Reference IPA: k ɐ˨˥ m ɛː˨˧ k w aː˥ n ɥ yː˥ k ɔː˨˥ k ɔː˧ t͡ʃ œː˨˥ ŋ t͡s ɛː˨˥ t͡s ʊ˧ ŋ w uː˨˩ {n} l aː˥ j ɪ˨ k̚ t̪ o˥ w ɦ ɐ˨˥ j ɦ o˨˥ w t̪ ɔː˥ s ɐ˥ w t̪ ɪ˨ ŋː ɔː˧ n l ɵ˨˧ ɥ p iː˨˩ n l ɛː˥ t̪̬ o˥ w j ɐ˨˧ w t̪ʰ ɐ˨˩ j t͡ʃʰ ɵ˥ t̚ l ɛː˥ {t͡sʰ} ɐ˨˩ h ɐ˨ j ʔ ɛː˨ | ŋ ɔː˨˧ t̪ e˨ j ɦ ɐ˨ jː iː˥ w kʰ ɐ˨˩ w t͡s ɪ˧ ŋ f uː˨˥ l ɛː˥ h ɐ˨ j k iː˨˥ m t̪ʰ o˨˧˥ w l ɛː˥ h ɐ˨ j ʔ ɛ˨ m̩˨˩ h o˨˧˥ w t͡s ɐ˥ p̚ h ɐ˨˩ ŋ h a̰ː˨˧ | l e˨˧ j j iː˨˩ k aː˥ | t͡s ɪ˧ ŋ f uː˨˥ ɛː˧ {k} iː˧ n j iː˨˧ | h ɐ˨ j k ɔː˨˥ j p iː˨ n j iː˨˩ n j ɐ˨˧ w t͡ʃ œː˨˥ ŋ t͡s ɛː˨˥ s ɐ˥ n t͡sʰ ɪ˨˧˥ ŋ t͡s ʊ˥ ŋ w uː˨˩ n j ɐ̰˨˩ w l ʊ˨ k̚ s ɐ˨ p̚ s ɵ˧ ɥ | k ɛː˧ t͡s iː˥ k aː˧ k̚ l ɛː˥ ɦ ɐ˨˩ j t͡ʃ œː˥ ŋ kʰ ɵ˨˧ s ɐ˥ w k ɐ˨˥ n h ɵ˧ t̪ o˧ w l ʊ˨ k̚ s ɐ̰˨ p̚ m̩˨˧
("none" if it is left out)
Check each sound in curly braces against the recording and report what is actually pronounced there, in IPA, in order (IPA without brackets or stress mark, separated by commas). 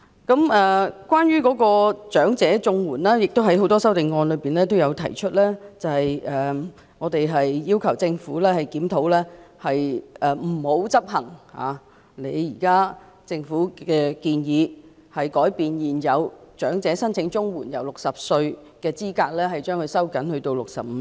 n, t͡s, k